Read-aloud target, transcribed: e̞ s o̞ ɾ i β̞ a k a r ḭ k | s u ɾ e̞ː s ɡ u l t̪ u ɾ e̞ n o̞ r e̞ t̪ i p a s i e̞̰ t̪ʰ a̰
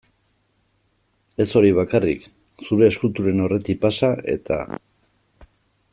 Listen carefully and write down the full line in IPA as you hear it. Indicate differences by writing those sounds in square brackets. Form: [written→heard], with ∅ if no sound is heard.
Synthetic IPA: e̞ s o̞ ɾ i β̞ a k a r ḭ k | s u ɾ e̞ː s [ɡ→k] u l t̪ u ɾ e̞ n o̞ r e̞ t̪ i p a s [i→a] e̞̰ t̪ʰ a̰